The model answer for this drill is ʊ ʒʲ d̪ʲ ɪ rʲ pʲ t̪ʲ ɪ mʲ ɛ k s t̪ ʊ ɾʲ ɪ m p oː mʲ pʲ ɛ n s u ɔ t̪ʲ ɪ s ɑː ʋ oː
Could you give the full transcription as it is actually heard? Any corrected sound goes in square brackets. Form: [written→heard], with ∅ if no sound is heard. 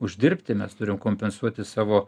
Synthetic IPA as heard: ʊ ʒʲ d̪ʲ ɪ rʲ pʲ t̪ʲ ɪ mʲ ɛ [k→∅] s t̪ ʊ ɾʲ ɪ m [p→k] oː mʲ pʲ ɛ n s u ɔ t̪ʲ ɪ s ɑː ʋ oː